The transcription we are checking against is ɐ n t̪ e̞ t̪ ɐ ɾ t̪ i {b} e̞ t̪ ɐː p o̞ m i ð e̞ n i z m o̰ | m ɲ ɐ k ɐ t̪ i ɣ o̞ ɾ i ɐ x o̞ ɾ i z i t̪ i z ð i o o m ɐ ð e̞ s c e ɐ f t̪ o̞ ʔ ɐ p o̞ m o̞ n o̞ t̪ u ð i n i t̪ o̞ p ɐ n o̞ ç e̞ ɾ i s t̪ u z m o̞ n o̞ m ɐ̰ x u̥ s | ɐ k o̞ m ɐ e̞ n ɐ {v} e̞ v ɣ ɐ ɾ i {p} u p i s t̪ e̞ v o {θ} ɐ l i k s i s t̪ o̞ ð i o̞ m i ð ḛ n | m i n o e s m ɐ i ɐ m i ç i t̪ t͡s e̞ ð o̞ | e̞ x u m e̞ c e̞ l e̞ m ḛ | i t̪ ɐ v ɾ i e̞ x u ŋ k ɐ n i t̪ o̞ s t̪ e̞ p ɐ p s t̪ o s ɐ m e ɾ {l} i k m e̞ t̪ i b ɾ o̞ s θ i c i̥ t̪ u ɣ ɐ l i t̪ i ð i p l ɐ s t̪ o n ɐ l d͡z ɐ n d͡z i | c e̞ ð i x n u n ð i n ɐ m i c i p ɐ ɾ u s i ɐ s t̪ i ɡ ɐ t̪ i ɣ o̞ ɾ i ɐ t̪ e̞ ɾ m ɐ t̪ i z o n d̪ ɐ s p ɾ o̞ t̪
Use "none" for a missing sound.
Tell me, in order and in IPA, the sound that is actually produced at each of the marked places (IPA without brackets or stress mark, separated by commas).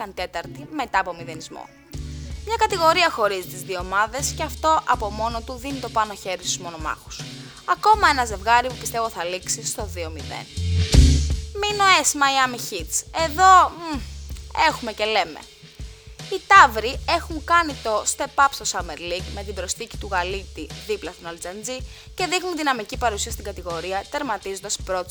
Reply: m, z, p, θ, l